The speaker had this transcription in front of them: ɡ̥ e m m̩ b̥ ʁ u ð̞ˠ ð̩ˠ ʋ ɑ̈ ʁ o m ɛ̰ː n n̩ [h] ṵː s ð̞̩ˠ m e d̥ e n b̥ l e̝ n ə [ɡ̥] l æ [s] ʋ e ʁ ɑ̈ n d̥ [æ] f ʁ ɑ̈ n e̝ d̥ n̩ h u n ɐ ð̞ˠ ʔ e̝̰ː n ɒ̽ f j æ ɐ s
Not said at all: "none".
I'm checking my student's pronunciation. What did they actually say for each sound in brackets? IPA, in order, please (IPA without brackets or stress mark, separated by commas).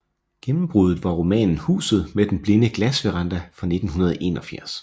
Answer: h, ɡ̥, s, æ